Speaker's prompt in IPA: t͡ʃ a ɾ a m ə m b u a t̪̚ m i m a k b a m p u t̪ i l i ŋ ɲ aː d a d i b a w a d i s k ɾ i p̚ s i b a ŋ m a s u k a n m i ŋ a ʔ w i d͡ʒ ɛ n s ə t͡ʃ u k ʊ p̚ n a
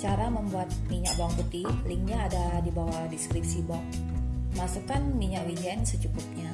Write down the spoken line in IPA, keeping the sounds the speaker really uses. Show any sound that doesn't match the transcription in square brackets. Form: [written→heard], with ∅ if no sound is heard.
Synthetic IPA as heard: t͡ʃ a ɾ a m ə m b u a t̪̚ m i [m→ɲ] a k b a [m→ŋ] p u t̪ i l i ŋ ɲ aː d a d i b a w a d i s k ɾ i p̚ s i b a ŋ m a s u k a n m i [ŋ→ɲ] a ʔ w i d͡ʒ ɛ n s ə t͡ʃ u k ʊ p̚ [n→ɲ] a